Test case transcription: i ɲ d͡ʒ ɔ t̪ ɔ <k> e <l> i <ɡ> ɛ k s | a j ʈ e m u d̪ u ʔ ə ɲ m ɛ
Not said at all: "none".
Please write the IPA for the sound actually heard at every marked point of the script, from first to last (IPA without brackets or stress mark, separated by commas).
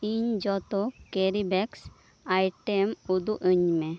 k, ɾ, b